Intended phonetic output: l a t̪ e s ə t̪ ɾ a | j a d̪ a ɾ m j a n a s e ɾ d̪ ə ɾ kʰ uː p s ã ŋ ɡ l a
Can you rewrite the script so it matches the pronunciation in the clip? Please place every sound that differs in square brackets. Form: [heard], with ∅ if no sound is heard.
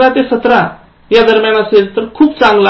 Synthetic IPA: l a t̪ e s ə t̪ ɾ a | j a d̪ [ə] ɾ m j a n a s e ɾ [t̪] ə ɾ kʰ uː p [t͡s] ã ŋ ɡ l a

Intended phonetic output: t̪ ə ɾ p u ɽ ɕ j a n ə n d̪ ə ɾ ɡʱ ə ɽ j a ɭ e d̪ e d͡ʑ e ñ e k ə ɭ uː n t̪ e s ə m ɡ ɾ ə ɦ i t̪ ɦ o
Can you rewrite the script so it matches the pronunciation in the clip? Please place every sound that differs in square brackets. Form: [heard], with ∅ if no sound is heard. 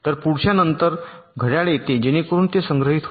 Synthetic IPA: t̪ ə ɾ p u ɽ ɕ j a n ə n [t̪] ə ɾ ɡʱ ə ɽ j a ɭ e [t̪] e d͡ʑ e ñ e k ə [ɾ] uː n t̪ e s ə [ŋ] ɡ ɾ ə ɦ i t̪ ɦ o

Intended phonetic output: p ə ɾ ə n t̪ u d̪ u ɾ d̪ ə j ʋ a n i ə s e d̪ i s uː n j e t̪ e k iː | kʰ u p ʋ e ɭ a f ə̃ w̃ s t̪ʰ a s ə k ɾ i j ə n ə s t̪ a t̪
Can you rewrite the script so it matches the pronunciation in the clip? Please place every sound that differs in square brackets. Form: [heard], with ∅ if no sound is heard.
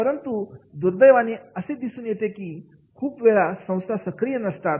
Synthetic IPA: p ə ɾ ə n t̪ u d̪ u ɾ d̪ ə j ʋ a n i ə s e d̪ i s uː n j e t̪ e k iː | kʰ [uː] p ʋ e ɭ a [s] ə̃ w̃ s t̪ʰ a s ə k ɾ i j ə n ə s t̪ a t̪

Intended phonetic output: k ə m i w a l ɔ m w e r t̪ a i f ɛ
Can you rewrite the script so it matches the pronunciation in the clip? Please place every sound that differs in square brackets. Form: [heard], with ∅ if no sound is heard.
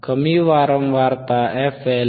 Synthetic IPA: k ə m i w a [ɾ] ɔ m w [a] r t̪ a [ɛ] f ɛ

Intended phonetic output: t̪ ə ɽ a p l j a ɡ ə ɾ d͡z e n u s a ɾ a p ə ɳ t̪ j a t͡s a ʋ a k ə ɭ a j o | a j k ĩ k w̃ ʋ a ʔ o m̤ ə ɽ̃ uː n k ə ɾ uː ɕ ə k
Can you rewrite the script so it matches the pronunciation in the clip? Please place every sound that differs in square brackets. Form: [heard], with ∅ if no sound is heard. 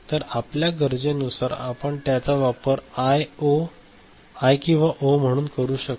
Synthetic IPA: t̪ ə [ɾ] a p l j a ɡ ə ɾ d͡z e n u s a ɾ a p ə ɳ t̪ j a t͡s a ʋ a [p] ə [ɾ] a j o | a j k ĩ [∅] w̃ ʋ a ʔ o m̤ ə ɽ̃ uː n k ə ɾ uː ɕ ə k

